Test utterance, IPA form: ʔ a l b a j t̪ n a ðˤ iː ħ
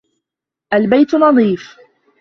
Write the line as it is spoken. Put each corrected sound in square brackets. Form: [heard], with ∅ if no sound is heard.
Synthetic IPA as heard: ʔ a l b a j t̪ n [ɑ] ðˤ iː [f]